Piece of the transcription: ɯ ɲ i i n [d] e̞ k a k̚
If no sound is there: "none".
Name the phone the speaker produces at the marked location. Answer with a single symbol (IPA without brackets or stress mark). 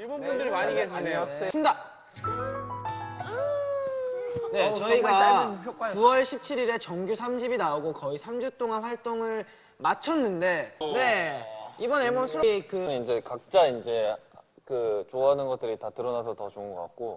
d͡ʑ